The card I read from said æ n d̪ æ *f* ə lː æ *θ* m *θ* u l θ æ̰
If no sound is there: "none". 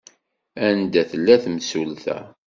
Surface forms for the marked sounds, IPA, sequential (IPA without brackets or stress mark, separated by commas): θ, θ, s